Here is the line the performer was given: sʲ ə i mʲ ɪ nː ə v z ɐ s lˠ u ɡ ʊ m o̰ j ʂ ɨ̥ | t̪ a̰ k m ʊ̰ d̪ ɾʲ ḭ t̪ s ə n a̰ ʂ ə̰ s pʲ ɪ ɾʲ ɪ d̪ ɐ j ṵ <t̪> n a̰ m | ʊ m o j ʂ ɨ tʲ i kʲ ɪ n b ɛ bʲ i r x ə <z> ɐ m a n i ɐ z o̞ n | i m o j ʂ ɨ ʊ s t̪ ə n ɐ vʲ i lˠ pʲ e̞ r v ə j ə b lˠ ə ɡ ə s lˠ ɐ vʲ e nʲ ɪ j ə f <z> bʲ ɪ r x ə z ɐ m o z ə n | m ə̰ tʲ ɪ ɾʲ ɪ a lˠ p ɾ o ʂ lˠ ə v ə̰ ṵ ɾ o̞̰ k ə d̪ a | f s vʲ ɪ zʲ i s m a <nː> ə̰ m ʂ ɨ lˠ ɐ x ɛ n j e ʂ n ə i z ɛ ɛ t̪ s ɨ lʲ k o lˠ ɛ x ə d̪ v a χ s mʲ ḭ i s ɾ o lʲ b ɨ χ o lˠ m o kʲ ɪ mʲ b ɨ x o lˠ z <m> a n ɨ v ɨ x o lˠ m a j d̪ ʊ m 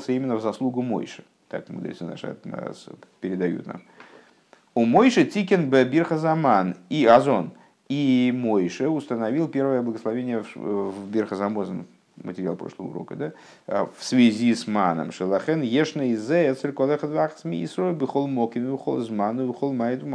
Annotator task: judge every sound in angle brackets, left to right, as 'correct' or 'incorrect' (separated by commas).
correct, correct, incorrect, incorrect, correct